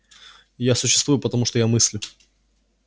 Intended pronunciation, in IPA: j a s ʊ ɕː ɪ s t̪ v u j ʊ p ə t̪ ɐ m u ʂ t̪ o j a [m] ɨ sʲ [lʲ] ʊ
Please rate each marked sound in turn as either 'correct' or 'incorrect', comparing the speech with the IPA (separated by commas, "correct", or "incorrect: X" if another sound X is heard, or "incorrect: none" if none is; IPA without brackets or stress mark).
correct, correct